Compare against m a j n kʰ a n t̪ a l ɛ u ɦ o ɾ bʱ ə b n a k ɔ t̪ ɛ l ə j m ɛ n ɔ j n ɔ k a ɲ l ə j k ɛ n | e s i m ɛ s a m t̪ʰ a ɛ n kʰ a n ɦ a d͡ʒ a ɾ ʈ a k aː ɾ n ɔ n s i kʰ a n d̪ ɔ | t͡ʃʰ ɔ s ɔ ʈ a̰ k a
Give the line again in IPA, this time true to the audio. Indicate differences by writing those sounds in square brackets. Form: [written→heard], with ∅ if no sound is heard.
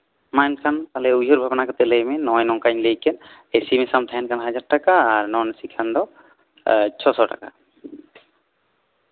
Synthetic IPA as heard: m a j n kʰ a n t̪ a l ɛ u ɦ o ɾ bʱ [ə→a] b n a k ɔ t̪ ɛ l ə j m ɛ n ɔ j n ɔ k a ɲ l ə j k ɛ n | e s i m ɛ s a m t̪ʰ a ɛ n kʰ a n ɦ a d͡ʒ a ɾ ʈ a k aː ɾ n ɔ n s i kʰ a n d̪ ɔ | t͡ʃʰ ɔ s ɔ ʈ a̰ k a